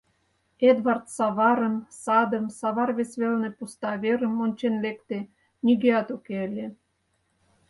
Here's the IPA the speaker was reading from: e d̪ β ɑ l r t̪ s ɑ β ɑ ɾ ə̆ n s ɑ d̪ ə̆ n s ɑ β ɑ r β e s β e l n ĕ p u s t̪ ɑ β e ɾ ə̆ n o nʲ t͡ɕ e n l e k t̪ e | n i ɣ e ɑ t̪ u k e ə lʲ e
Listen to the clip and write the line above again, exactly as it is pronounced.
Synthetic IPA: e d̪ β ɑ r t̪ s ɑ β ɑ ɾ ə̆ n s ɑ d̪ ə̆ m s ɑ β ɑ r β e s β e l n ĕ p u s t̪ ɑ β e ɾ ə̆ m o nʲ t͡ɕ e n l e k t̪ e | n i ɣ e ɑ t̪ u k e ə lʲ e